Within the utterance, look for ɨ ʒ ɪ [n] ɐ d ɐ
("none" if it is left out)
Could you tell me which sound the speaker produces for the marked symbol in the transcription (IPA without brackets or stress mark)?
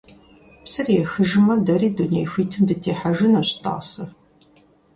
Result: m